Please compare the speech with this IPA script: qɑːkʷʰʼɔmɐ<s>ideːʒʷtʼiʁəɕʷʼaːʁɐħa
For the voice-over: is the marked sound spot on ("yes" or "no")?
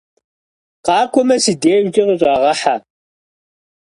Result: yes